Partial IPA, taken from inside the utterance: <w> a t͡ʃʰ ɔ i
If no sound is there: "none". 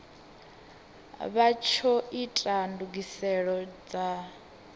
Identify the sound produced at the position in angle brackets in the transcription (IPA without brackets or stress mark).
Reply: β